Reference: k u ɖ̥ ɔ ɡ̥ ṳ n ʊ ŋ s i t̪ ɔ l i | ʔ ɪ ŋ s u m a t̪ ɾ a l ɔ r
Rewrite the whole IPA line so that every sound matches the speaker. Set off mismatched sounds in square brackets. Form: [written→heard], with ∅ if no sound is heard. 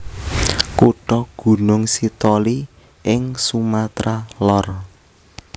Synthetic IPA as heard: k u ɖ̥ ɔ ɡ̥ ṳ n ʊ ŋ s i t̪ ɔ l i | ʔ ɪ ŋ s u m a t̪ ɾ a l ɔ r